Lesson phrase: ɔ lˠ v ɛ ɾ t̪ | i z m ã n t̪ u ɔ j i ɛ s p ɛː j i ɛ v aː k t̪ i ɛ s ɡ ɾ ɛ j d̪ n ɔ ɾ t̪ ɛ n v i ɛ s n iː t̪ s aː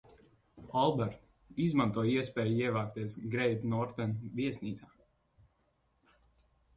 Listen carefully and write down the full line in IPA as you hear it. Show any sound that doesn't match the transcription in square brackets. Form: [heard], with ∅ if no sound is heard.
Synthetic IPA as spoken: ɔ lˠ [b] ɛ ɾ t̪ | i z m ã n t̪ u ɔ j i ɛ s p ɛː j i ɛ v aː k t̪ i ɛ s ɡ ɾ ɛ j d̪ n ɔ ɾ t̪ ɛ n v i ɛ s n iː t̪ s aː